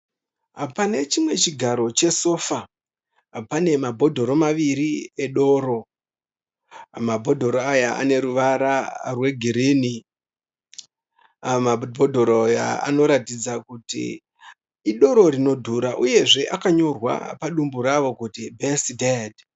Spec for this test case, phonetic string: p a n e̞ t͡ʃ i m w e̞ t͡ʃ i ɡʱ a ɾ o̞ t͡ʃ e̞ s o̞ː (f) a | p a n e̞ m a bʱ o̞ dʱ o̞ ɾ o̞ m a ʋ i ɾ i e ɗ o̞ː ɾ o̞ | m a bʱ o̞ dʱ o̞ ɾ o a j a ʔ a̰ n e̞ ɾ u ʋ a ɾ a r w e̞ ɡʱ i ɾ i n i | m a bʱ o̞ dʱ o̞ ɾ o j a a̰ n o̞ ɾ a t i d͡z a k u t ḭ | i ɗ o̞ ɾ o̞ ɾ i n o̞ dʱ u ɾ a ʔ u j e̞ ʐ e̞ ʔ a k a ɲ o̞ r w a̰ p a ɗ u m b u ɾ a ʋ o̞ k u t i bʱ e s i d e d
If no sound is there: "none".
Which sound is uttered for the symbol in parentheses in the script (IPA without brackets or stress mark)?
f